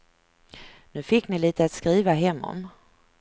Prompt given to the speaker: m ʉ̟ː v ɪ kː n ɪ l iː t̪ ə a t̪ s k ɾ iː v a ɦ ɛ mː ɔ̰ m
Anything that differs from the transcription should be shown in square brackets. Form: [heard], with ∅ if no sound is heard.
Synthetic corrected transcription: [n] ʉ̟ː [f] ɪ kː n ɪ l iː t̪ ə a t̪ s k ɾ iː v a ɦ ɛ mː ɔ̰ m